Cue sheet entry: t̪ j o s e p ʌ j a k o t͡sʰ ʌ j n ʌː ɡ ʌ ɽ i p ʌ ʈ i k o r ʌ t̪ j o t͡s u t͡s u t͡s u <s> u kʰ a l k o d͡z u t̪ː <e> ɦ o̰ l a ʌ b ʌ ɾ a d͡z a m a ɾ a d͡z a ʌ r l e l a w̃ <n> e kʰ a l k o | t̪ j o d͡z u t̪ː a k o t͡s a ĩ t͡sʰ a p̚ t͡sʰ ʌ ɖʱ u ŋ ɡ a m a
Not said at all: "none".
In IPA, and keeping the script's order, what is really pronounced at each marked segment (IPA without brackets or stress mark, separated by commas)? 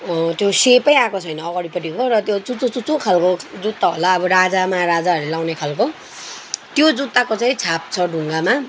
t͡s, a, n